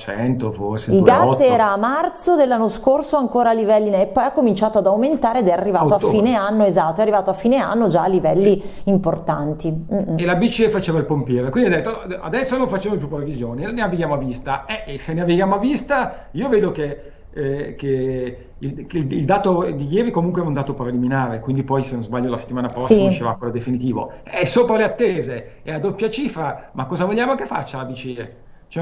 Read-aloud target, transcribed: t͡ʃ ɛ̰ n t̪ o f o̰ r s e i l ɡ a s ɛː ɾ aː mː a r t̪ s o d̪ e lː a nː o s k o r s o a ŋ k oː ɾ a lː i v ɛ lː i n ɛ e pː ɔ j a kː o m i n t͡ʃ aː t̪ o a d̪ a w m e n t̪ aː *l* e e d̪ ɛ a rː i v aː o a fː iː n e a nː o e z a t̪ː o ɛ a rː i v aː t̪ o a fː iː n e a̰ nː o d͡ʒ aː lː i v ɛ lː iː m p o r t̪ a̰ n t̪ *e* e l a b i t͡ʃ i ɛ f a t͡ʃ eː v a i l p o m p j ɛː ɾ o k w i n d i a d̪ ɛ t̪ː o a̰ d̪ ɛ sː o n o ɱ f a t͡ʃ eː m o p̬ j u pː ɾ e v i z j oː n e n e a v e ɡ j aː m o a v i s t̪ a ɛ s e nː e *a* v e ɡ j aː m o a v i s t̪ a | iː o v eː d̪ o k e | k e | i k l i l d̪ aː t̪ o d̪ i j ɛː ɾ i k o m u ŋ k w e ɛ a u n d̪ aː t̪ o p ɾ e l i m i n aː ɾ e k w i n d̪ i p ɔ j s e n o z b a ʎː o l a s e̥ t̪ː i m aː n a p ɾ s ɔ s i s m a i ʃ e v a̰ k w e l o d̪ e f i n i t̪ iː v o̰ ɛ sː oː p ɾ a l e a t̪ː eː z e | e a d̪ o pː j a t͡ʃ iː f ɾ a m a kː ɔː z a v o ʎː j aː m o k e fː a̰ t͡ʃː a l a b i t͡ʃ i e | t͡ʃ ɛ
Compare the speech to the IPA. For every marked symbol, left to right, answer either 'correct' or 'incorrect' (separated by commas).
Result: incorrect, incorrect, correct